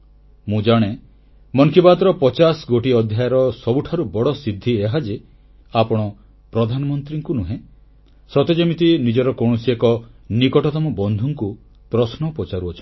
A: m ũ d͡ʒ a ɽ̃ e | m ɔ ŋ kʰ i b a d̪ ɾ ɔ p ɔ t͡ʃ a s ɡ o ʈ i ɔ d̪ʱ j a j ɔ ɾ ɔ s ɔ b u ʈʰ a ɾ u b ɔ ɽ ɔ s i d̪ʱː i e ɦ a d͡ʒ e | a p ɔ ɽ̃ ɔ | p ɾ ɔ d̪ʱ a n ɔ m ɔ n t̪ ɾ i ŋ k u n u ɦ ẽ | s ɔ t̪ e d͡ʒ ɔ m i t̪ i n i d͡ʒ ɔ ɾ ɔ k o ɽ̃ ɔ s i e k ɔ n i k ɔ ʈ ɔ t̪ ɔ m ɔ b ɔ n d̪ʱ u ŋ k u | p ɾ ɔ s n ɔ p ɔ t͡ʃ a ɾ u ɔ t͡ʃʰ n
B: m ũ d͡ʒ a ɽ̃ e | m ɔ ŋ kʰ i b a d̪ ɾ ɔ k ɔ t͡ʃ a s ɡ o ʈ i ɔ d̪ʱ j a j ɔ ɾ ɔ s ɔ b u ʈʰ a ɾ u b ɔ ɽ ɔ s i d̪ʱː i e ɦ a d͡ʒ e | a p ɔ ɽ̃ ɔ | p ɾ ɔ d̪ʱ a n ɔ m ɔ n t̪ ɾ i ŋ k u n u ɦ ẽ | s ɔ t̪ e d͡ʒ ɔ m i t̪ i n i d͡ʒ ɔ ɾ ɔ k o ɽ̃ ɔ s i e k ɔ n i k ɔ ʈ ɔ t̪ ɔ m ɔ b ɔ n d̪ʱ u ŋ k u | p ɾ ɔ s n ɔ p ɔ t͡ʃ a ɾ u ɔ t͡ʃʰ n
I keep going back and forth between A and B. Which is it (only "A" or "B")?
A